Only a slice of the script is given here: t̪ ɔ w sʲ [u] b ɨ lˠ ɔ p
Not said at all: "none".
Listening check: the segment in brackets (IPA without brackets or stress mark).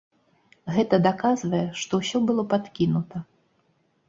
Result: ɔ